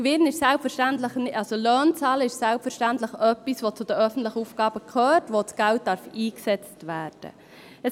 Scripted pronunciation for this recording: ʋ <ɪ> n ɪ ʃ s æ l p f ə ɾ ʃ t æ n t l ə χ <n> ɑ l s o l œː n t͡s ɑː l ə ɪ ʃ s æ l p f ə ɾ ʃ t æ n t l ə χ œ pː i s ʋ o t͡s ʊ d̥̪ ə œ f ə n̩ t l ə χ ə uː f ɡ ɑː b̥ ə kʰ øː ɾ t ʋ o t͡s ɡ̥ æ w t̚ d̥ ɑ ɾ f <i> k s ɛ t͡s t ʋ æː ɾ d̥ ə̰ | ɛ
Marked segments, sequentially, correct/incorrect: correct, correct, incorrect

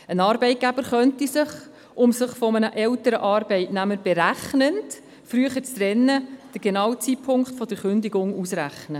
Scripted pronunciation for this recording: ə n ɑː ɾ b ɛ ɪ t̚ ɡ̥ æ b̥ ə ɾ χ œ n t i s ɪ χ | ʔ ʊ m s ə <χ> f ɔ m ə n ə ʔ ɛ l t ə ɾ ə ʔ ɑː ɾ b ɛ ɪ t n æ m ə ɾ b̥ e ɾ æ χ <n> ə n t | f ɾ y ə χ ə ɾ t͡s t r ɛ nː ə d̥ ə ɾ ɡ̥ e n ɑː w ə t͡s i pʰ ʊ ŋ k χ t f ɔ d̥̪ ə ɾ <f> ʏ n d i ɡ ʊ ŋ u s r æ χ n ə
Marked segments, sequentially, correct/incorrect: correct, correct, incorrect

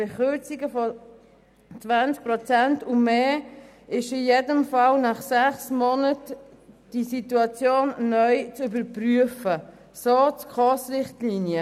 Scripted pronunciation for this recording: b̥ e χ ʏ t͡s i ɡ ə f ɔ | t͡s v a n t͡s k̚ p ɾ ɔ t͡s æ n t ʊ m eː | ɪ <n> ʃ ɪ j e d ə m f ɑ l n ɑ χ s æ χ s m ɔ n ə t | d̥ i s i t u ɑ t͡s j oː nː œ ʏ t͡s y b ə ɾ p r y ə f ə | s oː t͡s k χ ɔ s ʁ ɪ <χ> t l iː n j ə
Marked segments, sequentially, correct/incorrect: incorrect, correct

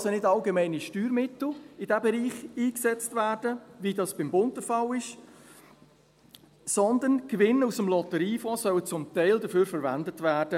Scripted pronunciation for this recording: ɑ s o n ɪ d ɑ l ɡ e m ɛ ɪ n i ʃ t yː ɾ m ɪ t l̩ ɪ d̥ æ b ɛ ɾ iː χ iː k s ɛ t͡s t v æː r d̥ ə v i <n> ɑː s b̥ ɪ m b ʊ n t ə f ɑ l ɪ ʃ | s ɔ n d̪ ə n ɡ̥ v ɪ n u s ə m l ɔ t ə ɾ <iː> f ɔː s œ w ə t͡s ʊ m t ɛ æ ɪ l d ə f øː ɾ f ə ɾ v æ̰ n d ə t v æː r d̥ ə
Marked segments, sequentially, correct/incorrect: incorrect, correct

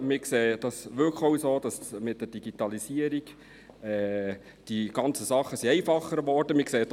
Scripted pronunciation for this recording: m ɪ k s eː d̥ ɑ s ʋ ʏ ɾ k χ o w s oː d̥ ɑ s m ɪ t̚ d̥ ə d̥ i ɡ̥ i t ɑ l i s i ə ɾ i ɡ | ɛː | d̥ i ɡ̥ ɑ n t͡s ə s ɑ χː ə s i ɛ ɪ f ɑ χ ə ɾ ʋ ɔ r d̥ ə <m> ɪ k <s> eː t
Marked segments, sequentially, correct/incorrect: correct, correct

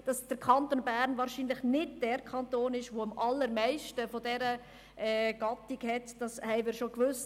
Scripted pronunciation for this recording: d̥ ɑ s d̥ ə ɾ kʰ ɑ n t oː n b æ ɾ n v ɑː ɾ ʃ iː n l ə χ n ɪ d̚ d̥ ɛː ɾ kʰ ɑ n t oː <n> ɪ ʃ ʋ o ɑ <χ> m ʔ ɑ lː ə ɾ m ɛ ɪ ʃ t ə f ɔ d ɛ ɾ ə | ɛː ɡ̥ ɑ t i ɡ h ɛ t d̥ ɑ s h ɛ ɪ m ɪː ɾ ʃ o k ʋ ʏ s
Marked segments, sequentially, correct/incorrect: correct, incorrect

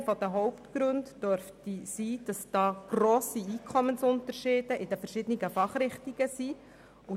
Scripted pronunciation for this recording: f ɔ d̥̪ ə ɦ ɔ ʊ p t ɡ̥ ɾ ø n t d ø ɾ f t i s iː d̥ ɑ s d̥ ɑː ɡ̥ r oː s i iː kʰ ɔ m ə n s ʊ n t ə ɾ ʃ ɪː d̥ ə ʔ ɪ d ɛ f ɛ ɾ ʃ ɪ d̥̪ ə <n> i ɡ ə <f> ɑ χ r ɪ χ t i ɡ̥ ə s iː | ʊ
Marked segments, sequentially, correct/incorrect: correct, correct

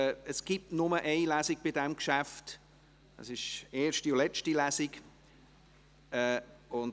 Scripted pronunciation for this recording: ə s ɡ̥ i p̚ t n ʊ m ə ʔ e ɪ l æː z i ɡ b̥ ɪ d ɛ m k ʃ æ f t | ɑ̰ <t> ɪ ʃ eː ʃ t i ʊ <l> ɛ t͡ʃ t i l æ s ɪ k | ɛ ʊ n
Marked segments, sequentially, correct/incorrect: incorrect, correct

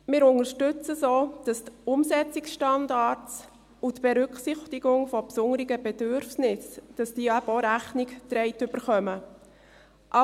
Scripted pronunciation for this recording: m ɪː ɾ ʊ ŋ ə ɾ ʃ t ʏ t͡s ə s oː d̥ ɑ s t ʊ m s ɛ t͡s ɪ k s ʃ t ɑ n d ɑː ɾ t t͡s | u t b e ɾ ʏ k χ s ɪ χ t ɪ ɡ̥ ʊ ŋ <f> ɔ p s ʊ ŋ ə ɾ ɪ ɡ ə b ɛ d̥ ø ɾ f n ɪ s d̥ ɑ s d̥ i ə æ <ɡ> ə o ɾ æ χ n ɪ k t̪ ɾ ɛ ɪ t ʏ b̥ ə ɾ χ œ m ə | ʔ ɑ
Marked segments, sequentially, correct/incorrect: correct, incorrect

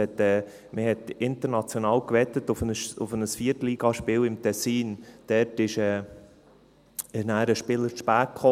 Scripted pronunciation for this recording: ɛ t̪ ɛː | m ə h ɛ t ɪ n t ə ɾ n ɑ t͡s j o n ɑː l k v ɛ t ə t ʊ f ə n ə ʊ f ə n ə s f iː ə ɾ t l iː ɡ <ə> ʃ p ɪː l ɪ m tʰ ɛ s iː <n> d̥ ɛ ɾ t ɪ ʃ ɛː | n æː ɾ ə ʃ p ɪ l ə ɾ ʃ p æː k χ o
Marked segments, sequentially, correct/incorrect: incorrect, correct

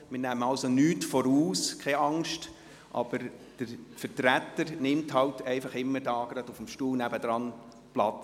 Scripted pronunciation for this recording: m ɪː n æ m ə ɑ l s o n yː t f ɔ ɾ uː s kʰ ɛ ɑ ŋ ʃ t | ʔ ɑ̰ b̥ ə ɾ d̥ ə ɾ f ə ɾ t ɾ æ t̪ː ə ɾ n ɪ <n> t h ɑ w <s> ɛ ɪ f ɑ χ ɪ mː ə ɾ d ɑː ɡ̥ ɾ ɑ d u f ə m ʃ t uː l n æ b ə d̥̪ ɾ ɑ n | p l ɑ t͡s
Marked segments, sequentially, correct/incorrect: incorrect, incorrect

